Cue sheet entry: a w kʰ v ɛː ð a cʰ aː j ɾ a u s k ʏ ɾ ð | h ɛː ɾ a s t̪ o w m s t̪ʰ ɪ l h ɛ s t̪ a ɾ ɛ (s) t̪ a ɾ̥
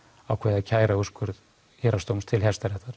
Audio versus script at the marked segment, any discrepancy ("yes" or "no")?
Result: yes